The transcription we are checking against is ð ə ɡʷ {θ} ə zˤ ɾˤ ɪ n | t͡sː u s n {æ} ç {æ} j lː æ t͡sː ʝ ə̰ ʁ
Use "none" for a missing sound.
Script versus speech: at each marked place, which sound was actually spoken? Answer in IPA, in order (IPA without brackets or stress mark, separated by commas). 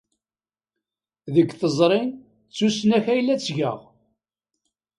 θ, æ, æ